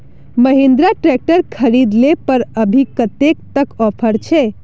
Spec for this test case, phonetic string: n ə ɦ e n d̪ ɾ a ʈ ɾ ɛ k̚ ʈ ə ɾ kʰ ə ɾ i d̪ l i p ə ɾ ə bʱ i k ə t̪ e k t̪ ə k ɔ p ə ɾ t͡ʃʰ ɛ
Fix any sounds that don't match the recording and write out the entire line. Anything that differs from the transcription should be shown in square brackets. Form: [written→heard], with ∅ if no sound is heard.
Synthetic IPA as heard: [n→m] ə ɦ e n d̪ ɾ a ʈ ɾ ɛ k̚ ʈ ə ɾ kʰ ə ɾ i d̪ l [i→e] p ə ɾ ə bʱ i k ə t̪ e k t̪ ə k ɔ [p→pʰ] ə ɾ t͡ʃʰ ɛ